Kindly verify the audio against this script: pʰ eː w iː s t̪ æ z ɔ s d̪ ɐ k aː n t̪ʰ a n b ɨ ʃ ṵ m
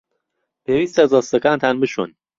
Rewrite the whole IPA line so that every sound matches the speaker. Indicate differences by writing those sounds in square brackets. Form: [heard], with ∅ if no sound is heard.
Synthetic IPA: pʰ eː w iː s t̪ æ z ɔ s [t̪] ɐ k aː n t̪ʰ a n b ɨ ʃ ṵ [n]